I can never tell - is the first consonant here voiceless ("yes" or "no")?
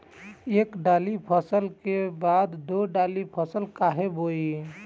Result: yes